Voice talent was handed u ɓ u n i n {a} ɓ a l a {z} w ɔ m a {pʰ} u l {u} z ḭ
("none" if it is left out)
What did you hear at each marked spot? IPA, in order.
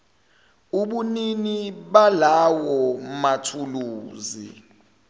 i, none, tʰ, uː

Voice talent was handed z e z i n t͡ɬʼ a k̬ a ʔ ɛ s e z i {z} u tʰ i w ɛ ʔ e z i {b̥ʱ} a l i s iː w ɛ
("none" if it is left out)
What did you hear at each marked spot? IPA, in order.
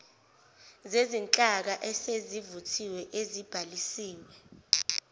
v, b̥ʱ

